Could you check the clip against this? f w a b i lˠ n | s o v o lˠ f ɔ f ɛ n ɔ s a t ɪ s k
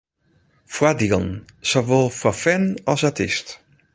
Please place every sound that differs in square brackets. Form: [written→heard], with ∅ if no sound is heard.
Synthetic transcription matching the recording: f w a [b→d] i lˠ n | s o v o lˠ f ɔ f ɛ n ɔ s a t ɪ s [k→t]